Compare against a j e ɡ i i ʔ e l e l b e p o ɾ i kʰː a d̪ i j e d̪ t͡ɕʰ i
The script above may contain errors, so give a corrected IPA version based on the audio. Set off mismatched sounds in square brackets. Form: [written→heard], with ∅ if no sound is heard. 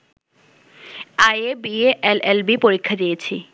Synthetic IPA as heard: a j e [ɡ→b] i [i→e] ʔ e l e l b [e→i] p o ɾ i kʰː a d̪ i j e [d̪→∅] t͡ɕʰ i